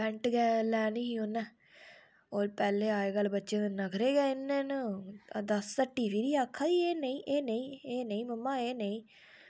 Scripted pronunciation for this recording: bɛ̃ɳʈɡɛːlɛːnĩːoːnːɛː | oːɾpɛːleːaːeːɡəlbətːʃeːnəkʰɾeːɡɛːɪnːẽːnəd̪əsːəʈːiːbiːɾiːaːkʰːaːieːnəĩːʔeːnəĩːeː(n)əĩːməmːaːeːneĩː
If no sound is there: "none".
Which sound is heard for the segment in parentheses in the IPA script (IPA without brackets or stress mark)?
n